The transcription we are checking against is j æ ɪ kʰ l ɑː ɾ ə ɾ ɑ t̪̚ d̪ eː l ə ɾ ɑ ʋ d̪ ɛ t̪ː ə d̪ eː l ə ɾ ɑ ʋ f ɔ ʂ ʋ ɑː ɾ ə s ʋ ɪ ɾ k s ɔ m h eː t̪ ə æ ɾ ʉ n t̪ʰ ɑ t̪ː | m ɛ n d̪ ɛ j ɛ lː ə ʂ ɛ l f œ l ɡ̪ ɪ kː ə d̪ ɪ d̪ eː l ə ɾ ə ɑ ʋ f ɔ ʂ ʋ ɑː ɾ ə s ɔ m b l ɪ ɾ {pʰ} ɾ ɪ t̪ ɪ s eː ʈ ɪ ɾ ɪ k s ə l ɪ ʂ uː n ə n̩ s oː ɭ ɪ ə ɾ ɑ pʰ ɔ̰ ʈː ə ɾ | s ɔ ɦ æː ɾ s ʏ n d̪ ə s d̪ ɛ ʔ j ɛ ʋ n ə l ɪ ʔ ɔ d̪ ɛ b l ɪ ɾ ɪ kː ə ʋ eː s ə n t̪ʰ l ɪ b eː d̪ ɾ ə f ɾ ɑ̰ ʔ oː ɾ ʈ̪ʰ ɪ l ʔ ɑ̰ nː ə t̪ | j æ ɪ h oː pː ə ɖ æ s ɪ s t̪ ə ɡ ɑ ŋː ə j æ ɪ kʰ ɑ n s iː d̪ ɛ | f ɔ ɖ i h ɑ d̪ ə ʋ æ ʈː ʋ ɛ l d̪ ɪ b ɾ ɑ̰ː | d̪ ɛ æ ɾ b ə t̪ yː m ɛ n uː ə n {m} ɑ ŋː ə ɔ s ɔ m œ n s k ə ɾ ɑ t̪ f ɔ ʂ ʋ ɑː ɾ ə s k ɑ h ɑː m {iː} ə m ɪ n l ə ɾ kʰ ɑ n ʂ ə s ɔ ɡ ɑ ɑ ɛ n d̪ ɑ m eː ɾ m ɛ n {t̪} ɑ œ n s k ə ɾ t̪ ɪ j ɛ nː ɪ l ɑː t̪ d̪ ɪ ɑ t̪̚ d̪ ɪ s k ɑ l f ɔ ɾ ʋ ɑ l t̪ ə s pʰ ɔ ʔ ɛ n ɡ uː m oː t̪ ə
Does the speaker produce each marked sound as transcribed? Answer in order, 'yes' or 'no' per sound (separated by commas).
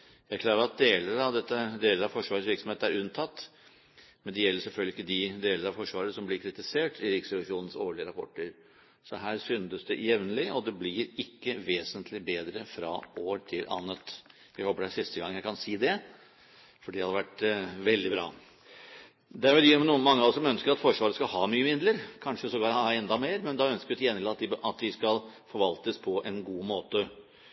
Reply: no, yes, no, no